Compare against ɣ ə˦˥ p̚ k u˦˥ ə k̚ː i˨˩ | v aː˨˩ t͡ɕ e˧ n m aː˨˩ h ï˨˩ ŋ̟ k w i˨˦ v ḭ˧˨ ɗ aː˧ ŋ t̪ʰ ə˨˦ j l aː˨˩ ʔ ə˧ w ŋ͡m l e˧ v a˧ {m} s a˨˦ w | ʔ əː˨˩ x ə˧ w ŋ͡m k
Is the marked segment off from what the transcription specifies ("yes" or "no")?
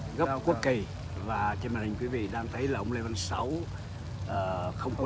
yes